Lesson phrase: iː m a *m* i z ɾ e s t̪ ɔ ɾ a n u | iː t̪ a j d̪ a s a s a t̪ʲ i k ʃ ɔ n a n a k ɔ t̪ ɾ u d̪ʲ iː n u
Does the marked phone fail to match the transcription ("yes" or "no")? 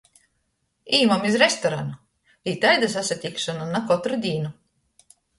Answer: no